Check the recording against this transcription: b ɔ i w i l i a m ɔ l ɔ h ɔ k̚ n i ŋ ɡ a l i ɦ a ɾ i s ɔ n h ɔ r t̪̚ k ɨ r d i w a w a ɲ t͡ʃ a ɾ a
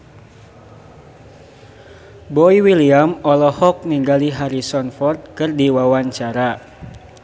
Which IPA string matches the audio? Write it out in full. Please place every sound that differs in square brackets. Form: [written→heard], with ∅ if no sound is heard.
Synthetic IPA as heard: b ɔ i w i l i a m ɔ l ɔ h ɔ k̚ n i ŋ ɡ a l i ɦ a ɾ i s ɔ n [h→f] ɔ r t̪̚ k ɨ r d i w a w a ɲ t͡ʃ a ɾ a